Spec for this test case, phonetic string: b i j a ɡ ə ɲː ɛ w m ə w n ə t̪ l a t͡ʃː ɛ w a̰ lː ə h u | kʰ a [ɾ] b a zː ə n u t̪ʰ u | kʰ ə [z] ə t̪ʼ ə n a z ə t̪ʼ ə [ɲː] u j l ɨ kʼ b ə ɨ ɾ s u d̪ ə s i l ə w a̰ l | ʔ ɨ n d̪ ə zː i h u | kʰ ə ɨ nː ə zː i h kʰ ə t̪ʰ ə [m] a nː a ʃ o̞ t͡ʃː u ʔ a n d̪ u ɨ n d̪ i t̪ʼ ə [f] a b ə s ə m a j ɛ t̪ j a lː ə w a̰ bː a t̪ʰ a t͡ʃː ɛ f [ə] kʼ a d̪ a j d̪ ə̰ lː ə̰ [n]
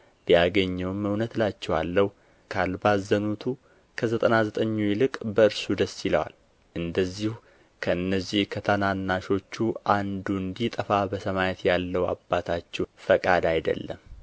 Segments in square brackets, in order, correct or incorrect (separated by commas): incorrect, correct, correct, incorrect, correct, correct, incorrect